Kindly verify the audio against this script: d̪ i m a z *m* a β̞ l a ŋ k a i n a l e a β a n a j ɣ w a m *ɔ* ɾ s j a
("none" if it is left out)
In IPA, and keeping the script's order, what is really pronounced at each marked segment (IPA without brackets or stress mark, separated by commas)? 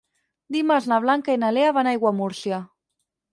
n, u